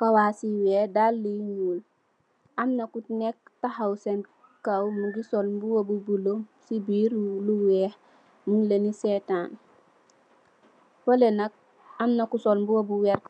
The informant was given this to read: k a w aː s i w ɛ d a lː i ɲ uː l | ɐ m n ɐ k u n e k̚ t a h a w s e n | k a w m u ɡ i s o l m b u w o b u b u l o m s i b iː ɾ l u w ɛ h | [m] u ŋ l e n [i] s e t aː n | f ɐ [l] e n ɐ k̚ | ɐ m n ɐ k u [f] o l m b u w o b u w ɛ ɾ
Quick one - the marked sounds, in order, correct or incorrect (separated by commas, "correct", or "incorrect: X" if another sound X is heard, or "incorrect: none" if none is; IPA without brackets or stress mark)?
correct, correct, correct, incorrect: s